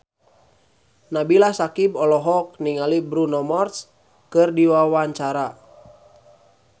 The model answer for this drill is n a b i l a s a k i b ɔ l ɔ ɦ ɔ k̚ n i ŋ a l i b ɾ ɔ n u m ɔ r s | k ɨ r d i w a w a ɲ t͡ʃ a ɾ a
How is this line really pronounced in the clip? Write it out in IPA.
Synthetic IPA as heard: n a b i l a s a k i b ɔ l ɔ ɦ ɔ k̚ n i ŋ a l i b ɾ u n ɔ m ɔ r s | k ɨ r d i w a w a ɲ t͡ʃ a ɾ a

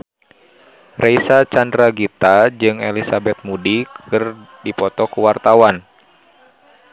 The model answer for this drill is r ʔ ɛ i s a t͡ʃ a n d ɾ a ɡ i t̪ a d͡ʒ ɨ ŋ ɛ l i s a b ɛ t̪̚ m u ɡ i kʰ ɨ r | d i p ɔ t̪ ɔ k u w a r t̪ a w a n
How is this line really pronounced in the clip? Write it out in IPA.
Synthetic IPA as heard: r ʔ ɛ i s a t͡ʃ a n d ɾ a ɡ i t̪ a d͡ʒ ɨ ŋ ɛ l i s a b ɛ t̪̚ m u d i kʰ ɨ r | d i p ɔ t̪ ɔ k u w a r t̪ a w a n

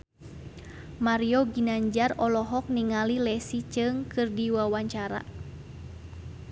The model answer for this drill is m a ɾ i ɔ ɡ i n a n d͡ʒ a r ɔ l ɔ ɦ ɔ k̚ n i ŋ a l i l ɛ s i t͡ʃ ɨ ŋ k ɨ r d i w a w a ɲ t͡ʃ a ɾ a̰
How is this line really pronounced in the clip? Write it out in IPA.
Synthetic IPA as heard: m a ɾ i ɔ ɡ i n a ɲ d͡ʒ a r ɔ l ɔ ɦ ɔ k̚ n i ŋ a l i l ɛ s i t͡ʃ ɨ ŋ k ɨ r d i w a w a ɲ t͡ʃ a ɾ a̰

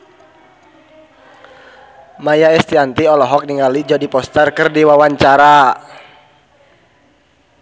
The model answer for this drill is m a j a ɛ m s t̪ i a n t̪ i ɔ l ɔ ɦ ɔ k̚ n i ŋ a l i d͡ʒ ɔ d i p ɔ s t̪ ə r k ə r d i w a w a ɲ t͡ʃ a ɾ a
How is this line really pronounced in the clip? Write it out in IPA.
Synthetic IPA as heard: m a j a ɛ s t̪ i a n t̪ i ɔ l ɔ ɦ ɔ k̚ n i ŋ a l i d͡ʒ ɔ d i p ɔ s t̪ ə r k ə r d i w a w a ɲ t͡ʃ a ɾ a

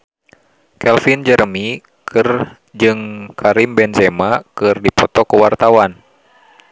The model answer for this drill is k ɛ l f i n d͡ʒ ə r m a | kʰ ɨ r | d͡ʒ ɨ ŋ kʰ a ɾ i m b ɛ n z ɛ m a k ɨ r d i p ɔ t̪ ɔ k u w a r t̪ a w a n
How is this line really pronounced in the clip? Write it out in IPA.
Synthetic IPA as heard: k ɛ l f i n d͡ʒ ə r m i | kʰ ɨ r | d͡ʒ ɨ ŋ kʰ a ɾ i m b ɛ n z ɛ m a k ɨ r d i p ɔ t̪ ɔ k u w a r t̪ a w a n

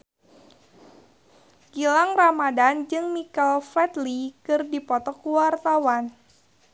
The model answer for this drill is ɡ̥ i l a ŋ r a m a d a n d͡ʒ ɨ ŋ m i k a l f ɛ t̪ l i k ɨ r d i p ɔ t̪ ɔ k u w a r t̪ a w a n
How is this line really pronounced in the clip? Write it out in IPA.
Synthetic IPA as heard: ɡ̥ i l a ŋ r a m a d a n d͡ʒ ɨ ŋ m i k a l f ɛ t̪ l i k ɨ r d i p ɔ t̪ ɔ k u w a r t̪ a w a n

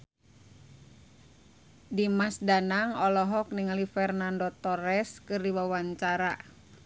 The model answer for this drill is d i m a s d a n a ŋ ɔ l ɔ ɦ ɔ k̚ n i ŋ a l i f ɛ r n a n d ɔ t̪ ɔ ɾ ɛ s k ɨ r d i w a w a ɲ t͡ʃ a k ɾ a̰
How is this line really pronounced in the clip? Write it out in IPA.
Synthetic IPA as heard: d i m a s d a n a ŋ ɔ l ɔ ɦ ɔ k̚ n i ŋ a l i f ɛ r n a n d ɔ t̪ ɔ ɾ ɛ s k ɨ r d i w a w a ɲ t͡ʃ a ɾ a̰

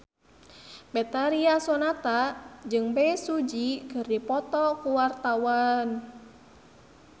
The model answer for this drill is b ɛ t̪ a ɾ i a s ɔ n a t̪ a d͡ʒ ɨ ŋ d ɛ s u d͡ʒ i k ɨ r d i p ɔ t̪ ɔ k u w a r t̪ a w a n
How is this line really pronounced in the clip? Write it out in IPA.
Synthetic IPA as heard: b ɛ t̪ a ɾ i a s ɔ n a t̪ a d͡ʒ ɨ ŋ b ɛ s u d͡ʒ i k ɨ r d i p ɔ t̪ ɔ k u w a r t̪ a w a n

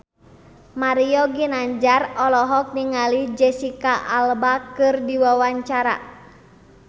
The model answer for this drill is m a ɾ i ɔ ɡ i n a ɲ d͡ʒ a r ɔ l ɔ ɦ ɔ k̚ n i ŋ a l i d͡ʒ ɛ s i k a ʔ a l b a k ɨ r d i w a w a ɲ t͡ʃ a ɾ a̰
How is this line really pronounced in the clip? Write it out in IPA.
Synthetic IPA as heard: m a ɾ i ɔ ɡ i n a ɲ d͡ʒ a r ɔ l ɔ ɦ ɔ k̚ n i ŋ a l i d͡ʒ ɛ s i k a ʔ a l b a k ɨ r d i w a w a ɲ t͡ʃ a ɾ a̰

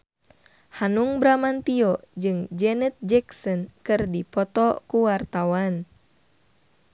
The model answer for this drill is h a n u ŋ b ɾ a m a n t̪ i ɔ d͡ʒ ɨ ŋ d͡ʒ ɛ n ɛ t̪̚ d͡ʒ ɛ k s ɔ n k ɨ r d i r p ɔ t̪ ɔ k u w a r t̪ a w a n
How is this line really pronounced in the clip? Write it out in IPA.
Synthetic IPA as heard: h a n u ŋ b ɾ a m a n t̪ i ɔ d͡ʒ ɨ ŋ d͡ʒ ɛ n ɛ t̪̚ d͡ʒ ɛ k s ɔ n k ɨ r d i p ɔ t̪ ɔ k u w a r t̪ a w a n

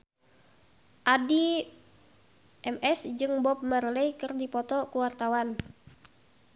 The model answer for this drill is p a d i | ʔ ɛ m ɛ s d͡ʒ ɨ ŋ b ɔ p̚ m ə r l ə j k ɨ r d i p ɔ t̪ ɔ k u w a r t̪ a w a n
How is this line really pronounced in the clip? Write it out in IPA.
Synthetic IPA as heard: ʔ a d i | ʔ ɛ m ɛ s d͡ʒ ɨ ŋ b ɔ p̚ m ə r l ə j k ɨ r d i p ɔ t̪ ɔ k u w a r t̪ a w a n

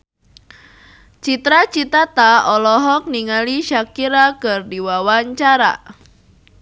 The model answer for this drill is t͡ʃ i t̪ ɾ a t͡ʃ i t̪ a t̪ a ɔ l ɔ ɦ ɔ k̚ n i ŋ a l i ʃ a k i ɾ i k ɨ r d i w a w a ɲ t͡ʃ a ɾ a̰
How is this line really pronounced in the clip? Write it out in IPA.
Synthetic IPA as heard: t͡ʃ i t̪ ɾ a t͡ʃ i t̪ a t̪ a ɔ l ɔ ɦ ɔ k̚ n i ŋ a l i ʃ a k i ɾ a k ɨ r d i w a w a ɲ t͡ʃ a ɾ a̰

